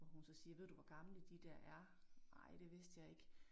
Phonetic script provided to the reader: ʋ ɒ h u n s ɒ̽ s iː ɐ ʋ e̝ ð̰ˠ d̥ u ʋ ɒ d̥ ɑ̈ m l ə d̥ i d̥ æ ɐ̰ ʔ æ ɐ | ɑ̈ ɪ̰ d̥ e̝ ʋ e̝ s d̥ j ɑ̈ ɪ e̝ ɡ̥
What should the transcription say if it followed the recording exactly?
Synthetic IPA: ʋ ɒ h u n s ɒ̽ s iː ɐ ʋ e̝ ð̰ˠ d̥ u ʋ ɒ ɡ̥ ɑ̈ m l ə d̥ i d̥ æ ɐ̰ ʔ æ ɐ | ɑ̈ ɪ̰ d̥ e̝ ʋ e̝ s d̥ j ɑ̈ ɪ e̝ ɡ̥

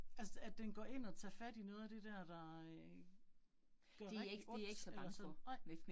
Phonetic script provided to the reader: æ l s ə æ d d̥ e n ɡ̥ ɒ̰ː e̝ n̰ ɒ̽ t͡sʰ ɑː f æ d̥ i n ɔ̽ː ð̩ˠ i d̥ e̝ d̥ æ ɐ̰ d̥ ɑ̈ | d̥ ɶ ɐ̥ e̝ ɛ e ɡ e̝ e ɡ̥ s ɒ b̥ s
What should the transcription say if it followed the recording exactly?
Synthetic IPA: æ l s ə æ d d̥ e n ɡ̥ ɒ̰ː e̝ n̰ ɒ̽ t͡sʰ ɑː f æ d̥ i n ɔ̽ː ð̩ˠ æ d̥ e̝ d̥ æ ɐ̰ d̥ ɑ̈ | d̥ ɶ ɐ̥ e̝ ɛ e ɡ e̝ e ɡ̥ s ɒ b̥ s

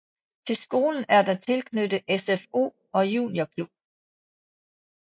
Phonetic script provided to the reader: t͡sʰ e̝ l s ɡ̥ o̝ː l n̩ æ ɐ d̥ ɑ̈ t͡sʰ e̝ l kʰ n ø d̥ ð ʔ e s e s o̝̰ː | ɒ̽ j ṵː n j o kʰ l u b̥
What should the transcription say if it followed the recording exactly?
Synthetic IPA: t͡sʰ e̝ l s ɡ̥ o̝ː l n̩ æ ɐ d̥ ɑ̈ t͡sʰ e̝ l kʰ n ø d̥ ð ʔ e s e f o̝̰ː | ɒ̽ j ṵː n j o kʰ l u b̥

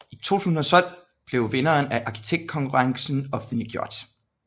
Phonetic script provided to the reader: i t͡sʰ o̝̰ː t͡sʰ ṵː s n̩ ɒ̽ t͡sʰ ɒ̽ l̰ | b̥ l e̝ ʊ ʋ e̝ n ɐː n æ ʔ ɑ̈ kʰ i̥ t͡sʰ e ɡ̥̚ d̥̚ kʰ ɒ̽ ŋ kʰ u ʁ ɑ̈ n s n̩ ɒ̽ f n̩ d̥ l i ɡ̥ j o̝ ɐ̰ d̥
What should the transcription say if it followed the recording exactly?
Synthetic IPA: i t͡sʰ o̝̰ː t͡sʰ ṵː s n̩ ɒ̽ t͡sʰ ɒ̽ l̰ | b̥ l e̝ ʊ ʋ e̝ n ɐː n æ ʔ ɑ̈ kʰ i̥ t͡sʰ e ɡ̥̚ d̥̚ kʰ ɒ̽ ŋ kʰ u ʁ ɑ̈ ŋ s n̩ ɒ̽ f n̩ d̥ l i ɡ̥ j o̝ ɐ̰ d̥

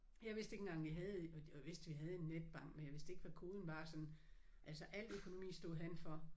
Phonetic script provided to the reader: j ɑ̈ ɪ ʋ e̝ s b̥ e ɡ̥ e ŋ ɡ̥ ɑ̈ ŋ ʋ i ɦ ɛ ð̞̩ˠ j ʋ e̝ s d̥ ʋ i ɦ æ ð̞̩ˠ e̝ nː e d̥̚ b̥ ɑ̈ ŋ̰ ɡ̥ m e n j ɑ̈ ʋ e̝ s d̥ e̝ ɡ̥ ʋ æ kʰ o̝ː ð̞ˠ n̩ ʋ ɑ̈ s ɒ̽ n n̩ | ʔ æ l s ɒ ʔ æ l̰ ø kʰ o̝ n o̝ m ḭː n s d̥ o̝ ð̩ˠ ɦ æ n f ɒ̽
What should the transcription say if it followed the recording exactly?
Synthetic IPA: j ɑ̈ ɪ ʋ e̝ s d̥ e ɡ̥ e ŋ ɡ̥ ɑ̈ ŋ ʋ i ɦ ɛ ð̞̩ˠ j ʋ e̝ s d̥ ʋ i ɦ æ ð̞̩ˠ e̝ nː e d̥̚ b̥ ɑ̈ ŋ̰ ɡ̥ m e n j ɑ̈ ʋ e̝ s d̥ e̝ ɡ̥ ʋ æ kʰ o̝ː ð̞ˠ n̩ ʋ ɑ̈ s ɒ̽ n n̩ | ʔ æ l s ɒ ʔ æ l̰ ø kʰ o̝ n o̝ m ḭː s d̥ o̝ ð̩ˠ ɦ æ n f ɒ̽

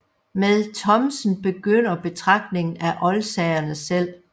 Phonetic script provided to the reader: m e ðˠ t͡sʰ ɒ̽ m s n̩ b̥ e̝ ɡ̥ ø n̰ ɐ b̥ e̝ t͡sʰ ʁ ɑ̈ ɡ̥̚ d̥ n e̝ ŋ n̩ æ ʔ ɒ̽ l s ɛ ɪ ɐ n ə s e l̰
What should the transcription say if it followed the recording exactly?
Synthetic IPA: m e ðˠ t͡sʰ ɒ̽ m s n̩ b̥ e̝ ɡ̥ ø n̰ ɐ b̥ e̝ t͡sʰ ʁ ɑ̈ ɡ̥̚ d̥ n e̝ ŋ n̩ æ ʔ ɒ̽ l s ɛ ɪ ɐ n ə s e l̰

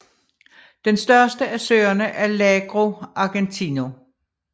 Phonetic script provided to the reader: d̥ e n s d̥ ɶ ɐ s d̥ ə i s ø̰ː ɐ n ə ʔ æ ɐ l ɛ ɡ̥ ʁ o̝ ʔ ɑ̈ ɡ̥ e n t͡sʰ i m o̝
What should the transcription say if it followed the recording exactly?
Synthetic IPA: d̥ e n s d̥ ɶ ɐ s d̥ ə æ s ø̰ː ɐ n ə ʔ æ ɐ l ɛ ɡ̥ ʁ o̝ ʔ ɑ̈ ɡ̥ e n t͡sʰ i n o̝

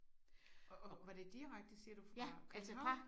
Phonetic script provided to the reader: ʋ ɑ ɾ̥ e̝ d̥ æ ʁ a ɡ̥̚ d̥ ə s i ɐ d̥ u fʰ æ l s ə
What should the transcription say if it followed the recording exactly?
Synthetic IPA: ʋ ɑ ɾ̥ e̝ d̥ i ʁ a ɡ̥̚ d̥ ə s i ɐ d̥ u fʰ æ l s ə

